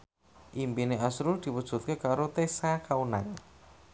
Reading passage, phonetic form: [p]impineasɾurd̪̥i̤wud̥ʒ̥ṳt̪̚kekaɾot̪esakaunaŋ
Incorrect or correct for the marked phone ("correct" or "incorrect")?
incorrect